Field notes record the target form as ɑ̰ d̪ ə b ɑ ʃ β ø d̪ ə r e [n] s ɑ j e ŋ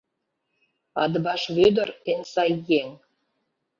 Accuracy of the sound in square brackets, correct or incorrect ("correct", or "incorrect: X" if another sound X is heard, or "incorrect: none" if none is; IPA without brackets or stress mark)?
correct